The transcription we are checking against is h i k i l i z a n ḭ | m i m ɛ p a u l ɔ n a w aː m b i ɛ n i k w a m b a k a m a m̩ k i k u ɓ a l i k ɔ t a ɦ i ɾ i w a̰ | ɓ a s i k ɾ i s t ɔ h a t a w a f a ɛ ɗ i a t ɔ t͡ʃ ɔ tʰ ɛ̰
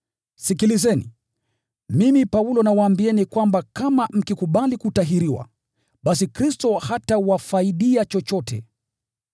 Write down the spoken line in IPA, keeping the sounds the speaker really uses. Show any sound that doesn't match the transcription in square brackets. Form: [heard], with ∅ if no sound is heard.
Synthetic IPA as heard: [s] i k i l i z [ɛ] n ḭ | m i m [i] p a u l ɔ n a w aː m b i ɛ n i k w a m b a k a m a m̩ k i k u ɓ a l i k [u] t a ɦ i ɾ i w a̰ | ɓ a s i k ɾ i s t ɔ h a t a w a f a [i] ɗ i a [t͡ʃ] ɔ t͡ʃ ɔ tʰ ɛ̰